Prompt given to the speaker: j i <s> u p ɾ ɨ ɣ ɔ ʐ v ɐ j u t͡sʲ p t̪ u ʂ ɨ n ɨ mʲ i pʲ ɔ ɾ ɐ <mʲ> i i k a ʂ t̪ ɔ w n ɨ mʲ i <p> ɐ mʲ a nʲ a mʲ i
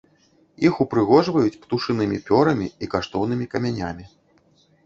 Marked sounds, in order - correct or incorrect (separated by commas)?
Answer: incorrect, correct, incorrect